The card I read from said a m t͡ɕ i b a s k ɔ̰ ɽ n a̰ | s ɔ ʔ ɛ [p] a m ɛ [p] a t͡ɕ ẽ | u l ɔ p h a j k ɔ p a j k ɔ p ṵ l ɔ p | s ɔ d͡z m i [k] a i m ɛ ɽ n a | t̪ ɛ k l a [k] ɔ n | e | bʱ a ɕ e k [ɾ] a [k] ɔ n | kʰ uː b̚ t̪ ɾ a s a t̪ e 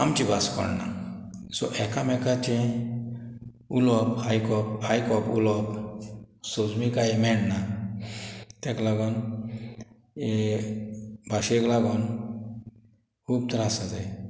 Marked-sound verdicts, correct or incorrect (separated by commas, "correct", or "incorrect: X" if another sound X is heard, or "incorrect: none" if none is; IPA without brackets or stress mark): incorrect: k, incorrect: k, correct, incorrect: ɡ, incorrect: l, incorrect: ɡ